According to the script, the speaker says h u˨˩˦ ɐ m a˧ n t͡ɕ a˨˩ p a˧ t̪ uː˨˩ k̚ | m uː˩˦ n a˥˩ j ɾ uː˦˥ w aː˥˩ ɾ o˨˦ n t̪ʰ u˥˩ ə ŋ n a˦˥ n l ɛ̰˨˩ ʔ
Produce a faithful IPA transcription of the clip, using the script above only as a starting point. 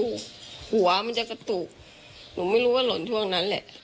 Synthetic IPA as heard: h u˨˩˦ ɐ m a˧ n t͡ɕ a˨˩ k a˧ t̪ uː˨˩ k̚ | n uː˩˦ m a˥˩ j ɾ uː˦˥ w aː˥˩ l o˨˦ n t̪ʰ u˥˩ ə ŋ n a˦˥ n l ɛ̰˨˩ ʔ